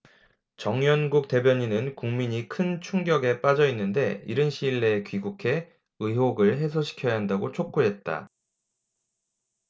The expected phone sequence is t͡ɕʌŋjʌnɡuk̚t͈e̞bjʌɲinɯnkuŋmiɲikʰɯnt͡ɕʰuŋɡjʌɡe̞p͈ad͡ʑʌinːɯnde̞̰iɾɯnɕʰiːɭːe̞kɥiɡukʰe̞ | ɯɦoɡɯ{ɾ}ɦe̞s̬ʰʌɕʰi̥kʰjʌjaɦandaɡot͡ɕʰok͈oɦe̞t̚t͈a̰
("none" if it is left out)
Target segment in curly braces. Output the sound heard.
ɭ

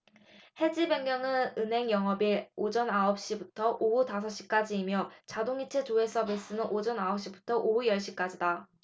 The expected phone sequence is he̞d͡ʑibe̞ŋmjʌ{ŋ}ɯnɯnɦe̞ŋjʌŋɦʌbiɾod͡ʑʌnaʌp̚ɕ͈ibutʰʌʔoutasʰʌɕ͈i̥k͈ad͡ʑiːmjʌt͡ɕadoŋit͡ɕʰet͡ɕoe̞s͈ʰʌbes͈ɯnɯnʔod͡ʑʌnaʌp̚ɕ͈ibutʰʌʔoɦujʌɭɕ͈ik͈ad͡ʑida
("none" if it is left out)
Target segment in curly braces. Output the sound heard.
ŋ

